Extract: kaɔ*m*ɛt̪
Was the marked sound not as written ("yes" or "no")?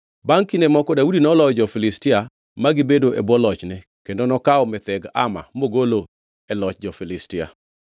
no